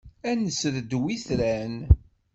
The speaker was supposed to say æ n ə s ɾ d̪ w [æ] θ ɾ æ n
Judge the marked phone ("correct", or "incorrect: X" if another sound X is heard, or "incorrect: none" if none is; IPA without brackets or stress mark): incorrect: i